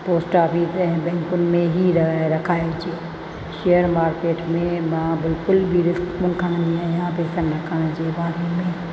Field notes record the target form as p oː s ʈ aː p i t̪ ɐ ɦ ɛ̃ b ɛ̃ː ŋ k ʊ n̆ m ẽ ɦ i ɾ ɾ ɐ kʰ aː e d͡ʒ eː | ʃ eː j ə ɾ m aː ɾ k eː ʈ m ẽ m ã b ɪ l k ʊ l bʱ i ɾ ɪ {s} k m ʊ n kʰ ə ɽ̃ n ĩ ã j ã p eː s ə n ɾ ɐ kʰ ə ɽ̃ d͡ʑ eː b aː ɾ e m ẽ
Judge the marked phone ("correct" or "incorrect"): correct